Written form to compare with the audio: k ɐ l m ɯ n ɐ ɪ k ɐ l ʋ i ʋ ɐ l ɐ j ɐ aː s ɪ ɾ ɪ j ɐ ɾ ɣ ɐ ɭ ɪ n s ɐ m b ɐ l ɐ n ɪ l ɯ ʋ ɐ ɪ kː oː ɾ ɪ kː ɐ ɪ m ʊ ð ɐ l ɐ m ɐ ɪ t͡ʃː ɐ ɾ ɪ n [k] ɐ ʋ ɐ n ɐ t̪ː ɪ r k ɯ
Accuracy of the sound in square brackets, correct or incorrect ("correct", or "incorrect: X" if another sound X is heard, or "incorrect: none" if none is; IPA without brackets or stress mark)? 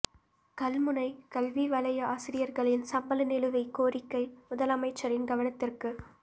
incorrect: ɡ